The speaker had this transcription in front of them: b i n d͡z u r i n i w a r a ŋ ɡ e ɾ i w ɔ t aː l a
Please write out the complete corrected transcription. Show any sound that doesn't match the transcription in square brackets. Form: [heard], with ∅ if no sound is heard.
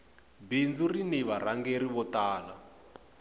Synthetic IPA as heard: b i n d͡z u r i n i [β] a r a ŋ ɡ e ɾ i [β] ɔ t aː l a